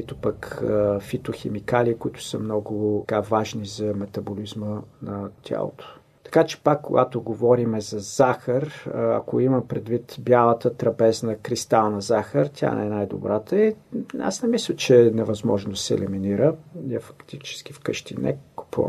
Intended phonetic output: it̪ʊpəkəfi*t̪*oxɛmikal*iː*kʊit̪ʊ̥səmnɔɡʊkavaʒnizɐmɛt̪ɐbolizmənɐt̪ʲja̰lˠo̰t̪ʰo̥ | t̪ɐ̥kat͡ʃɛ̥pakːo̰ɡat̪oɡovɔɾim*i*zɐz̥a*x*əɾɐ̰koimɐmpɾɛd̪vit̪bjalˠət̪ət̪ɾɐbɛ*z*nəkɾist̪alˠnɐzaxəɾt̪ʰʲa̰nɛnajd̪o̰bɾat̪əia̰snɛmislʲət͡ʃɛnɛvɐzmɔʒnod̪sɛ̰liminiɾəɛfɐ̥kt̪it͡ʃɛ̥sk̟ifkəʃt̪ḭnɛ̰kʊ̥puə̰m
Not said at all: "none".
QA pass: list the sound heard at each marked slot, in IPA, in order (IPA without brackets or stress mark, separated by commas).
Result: t̪, iː, ɛ, x, z